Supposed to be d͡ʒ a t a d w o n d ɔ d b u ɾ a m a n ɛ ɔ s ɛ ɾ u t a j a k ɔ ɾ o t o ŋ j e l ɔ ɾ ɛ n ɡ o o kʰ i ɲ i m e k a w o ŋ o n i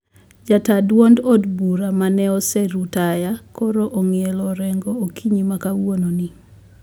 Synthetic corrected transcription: d͡ʒ a t a d w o n d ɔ d b u ɾ a m a n ɛ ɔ s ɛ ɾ u t a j a k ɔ ɾ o ʔ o ŋ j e l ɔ ɾ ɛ ŋ ɡ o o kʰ i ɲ i m a k a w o n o n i

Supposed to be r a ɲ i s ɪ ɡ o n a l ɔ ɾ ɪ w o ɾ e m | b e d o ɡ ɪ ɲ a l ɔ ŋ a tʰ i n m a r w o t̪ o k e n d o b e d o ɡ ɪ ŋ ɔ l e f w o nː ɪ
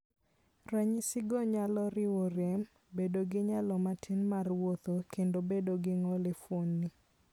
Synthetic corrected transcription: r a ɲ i s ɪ ɡ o ɲ a l ɔ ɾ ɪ w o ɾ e m | b e d o ɡ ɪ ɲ a l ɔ m a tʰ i n m a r w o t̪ o k e n d o b e d o ɡ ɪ ŋ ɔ l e f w o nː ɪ

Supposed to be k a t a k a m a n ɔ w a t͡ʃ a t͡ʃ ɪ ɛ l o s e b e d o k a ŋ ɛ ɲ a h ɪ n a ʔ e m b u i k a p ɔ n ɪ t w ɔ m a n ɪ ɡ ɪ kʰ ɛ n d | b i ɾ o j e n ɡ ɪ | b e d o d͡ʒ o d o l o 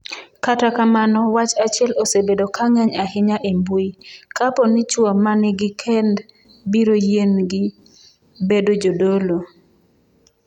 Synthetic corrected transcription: k a t a k a m a n ɔ w a t͡ʃ a t͡ʃ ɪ ɛ l o s e b e d o k a ŋ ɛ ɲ a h ɪ ɲ a ʔ e m b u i k a p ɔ n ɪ t͡ʃ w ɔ m a n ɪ ɡ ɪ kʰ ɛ n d | b i ɾ o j e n ɡ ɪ | b e d o d͡ʒ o d o l o

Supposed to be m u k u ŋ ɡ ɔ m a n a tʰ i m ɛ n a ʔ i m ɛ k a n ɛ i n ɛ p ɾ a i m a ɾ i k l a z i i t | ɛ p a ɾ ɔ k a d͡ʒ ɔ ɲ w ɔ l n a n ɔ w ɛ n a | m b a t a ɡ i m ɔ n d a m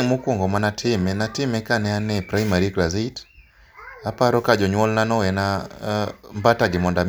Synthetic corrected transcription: m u k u ŋ ɡ ɔ m a n a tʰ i m ɛ n a t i m ɛ k a n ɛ a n ɛ p ɾ a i m a ɾ i k l a z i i t | a p a ɾ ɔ k a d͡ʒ ɔ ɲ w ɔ l n a n ɔ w ɛ n a | m b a t a ɡ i m ɔ n d a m

